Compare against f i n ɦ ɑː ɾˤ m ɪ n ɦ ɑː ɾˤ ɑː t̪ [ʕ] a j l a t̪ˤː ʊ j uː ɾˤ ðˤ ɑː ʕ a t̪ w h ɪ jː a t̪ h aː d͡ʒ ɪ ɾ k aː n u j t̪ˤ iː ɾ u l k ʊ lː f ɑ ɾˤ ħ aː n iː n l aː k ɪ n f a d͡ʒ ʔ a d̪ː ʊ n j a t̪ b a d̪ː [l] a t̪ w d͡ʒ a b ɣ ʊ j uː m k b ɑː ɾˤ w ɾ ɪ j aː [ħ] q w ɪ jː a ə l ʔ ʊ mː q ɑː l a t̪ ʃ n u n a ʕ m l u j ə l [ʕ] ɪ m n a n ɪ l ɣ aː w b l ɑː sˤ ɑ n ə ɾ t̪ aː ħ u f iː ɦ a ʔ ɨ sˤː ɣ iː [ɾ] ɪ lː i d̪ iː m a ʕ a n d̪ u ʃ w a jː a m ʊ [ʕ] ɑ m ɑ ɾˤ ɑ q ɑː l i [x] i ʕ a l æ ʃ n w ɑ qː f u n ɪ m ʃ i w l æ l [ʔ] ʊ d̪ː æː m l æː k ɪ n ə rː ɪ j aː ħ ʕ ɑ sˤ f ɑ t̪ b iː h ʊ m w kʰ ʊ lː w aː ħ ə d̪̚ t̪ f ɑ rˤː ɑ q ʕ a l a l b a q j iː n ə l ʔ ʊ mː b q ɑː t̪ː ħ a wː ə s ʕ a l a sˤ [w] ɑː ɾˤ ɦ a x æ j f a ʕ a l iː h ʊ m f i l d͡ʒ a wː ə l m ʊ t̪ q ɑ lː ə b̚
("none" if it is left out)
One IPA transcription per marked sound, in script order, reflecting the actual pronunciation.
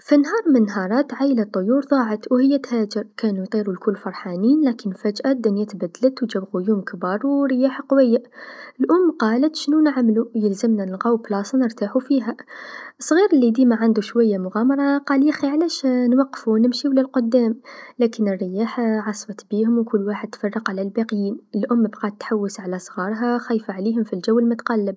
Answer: ʕ, l, ħ, z, ɾ, ɣ, x, q, ɣ

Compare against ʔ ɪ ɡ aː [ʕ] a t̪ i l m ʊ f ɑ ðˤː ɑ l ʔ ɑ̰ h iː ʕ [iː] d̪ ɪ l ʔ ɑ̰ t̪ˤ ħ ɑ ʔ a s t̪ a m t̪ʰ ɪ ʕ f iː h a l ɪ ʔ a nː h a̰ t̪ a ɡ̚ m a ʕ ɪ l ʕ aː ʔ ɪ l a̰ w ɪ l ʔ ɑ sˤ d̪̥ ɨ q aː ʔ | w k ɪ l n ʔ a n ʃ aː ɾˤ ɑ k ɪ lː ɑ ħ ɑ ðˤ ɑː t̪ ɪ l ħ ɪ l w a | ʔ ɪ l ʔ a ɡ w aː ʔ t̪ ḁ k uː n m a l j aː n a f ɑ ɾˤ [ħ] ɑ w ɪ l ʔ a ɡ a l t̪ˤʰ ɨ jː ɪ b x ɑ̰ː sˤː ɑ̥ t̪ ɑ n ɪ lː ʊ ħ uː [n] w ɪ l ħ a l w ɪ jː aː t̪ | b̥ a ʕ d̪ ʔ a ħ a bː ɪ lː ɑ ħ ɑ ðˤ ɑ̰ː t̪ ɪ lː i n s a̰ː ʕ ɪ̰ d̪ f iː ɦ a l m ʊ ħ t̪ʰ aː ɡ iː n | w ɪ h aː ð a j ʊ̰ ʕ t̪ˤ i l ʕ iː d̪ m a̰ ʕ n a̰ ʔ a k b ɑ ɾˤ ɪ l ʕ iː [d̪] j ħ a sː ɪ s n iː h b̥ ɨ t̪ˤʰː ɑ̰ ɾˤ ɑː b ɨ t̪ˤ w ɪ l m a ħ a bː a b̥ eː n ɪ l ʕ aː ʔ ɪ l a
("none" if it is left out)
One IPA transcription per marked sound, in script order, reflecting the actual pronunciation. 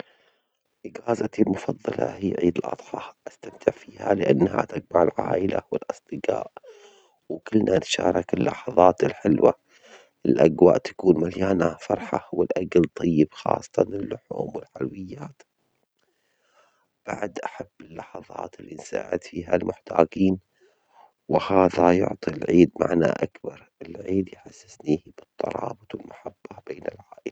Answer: z, iː, ħ, m, d̪

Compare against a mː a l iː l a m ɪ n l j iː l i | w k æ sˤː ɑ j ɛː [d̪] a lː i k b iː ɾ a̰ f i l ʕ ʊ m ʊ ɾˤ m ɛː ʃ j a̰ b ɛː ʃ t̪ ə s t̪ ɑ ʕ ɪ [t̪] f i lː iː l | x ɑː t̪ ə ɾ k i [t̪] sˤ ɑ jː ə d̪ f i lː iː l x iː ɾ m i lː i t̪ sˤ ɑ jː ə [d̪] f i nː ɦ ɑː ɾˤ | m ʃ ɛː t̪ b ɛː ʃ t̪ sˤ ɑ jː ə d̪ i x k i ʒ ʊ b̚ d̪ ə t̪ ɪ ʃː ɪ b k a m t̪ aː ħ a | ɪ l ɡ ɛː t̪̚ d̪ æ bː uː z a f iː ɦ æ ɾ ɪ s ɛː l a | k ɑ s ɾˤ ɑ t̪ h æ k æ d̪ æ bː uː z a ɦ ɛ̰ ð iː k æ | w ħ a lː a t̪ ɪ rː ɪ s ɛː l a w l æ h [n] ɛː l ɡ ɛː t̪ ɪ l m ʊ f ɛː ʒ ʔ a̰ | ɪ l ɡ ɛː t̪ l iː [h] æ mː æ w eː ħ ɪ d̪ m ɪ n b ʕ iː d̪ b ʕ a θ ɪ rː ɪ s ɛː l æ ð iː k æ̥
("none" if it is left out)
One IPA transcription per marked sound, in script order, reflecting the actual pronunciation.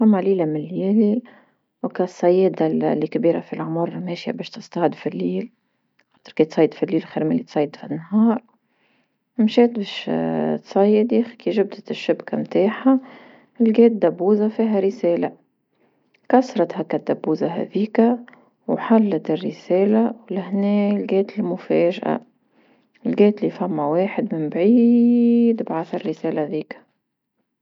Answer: d̪, d̪, t̪, d̪, n, f

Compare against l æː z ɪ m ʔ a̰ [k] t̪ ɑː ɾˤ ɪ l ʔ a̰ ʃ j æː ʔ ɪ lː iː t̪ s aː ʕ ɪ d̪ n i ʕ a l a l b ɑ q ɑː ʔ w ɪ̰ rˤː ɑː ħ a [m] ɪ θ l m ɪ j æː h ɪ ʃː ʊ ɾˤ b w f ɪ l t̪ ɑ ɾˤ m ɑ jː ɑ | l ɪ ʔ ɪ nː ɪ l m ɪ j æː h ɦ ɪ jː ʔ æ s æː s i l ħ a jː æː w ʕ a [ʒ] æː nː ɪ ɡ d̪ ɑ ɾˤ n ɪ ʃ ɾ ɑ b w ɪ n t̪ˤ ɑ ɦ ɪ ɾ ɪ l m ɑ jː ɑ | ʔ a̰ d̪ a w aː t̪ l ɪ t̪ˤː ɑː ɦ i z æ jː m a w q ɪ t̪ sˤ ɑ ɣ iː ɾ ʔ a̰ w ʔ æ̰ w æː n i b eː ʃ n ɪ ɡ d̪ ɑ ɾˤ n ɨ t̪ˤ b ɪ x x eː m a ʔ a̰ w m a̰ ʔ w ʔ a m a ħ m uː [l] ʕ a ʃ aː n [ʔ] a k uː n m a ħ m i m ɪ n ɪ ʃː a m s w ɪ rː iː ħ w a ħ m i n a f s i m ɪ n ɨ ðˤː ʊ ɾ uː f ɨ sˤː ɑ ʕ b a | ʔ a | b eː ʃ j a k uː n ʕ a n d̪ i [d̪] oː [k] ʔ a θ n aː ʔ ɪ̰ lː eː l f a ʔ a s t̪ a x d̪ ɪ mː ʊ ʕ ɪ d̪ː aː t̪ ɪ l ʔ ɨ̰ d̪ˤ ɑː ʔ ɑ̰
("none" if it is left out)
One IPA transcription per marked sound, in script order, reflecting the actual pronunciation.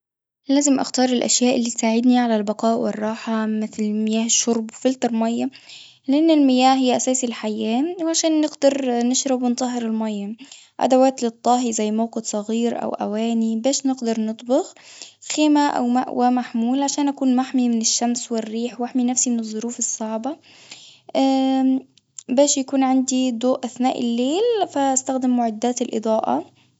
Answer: x, m, ʃ, l, ʔ, d̪, ʔ

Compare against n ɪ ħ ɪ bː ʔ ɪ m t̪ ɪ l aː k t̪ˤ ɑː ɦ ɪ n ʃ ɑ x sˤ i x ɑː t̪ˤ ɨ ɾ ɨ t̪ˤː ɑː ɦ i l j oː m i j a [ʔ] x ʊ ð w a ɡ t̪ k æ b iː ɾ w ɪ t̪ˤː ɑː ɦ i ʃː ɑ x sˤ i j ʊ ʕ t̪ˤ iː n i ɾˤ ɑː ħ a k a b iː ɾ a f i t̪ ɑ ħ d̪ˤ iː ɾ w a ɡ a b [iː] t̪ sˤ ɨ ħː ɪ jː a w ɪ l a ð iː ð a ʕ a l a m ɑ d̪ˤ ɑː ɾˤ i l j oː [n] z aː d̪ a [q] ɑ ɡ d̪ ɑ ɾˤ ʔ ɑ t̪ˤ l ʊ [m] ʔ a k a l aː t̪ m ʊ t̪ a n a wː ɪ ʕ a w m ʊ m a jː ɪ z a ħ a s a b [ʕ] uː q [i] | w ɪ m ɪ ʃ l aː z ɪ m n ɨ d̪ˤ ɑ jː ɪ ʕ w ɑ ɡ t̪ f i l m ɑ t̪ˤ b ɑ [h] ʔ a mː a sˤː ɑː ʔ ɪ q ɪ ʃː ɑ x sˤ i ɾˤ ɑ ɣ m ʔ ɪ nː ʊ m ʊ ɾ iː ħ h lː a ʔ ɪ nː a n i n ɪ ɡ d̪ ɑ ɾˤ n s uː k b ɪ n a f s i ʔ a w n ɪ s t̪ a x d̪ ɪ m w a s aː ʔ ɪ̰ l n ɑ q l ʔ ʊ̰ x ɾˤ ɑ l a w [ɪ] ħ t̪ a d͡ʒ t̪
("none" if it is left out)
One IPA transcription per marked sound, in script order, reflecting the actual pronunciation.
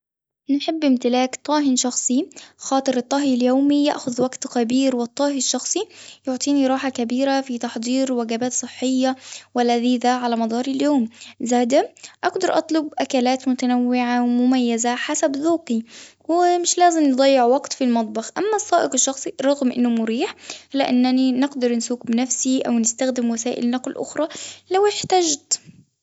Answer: ʔ, aː, m, ʔ, b, ð, i, x, ɪ

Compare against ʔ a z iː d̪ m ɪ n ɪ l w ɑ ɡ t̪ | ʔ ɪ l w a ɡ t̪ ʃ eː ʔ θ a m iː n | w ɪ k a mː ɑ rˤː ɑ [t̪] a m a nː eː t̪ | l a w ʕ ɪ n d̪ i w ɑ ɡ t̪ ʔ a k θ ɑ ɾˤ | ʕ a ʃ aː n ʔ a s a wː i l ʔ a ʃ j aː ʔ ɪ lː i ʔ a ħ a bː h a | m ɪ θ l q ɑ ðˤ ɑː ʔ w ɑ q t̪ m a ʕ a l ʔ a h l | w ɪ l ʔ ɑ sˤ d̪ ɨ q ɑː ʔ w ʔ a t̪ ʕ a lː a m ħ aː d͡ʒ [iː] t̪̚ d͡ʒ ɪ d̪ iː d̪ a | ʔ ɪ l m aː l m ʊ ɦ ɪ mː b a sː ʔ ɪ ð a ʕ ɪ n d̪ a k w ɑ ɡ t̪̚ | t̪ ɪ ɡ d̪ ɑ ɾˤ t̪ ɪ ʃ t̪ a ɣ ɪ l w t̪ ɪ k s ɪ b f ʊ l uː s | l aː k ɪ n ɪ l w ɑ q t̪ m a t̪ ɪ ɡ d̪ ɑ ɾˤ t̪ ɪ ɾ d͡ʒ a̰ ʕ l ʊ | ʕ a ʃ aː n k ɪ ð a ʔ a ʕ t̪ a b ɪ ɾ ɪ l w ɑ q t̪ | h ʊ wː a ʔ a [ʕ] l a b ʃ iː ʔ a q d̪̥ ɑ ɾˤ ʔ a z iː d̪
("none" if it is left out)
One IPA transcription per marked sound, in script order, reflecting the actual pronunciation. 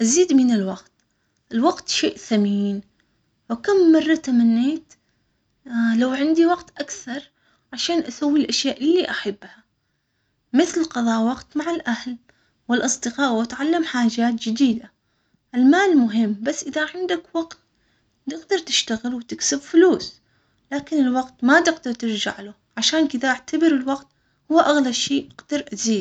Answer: t̪, aː, ɣ

